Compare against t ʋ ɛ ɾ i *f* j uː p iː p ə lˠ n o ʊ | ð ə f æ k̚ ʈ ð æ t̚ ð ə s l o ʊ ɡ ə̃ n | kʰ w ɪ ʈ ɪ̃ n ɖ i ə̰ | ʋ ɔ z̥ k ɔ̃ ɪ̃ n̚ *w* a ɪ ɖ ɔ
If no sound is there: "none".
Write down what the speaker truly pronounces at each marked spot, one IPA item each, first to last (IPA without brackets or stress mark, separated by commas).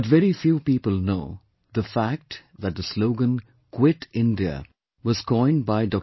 f, b